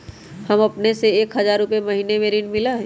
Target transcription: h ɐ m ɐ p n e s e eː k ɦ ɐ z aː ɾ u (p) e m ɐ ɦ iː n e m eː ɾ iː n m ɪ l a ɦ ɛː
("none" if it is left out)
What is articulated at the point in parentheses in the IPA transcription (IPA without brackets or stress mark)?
p